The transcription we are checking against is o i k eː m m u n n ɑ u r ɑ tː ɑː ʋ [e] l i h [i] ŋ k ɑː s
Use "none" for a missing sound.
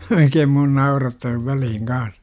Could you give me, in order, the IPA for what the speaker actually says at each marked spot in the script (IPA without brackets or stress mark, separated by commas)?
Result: æ, i